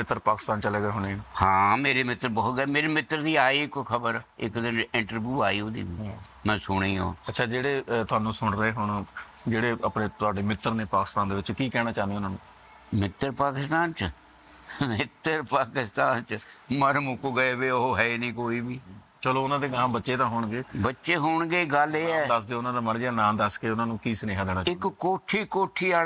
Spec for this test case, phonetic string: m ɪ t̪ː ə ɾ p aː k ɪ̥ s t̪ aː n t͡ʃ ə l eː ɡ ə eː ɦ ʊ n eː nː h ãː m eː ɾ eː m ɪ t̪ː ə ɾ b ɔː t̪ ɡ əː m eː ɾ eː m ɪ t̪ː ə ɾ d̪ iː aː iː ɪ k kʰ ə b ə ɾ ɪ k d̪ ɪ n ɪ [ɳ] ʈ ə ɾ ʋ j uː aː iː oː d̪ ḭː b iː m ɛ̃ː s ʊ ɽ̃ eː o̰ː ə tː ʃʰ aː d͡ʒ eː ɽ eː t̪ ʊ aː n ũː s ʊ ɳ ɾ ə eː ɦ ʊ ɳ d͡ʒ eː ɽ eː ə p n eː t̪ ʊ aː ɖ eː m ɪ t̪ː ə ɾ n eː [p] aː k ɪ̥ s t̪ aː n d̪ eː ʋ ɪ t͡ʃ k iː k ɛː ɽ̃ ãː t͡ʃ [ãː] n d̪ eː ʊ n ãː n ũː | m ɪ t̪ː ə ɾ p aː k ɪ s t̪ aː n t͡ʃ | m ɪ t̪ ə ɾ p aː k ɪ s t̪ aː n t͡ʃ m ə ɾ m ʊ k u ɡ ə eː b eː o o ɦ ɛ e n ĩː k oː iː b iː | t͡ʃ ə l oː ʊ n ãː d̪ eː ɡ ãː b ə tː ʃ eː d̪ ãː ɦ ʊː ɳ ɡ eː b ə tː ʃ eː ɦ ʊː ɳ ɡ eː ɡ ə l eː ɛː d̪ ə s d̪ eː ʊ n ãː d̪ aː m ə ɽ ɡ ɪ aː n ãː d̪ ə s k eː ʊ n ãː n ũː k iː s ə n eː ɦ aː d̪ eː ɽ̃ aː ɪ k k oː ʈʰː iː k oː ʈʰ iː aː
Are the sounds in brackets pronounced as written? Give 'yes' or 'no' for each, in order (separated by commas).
yes, yes, no